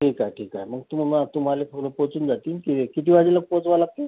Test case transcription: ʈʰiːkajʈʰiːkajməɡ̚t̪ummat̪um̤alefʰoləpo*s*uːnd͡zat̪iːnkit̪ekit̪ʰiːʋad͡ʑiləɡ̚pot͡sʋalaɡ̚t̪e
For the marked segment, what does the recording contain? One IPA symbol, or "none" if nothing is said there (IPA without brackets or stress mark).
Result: t͡s